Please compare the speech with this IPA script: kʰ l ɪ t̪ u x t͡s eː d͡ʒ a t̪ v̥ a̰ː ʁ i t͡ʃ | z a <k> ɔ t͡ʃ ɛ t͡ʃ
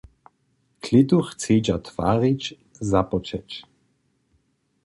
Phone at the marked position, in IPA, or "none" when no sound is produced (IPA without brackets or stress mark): p